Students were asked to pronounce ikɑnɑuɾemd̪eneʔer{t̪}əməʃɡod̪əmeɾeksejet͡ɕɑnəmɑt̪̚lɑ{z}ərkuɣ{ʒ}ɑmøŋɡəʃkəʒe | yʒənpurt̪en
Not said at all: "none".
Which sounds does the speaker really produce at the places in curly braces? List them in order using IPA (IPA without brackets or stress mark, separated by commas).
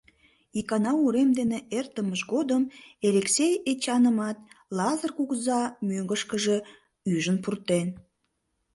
t̪, z, z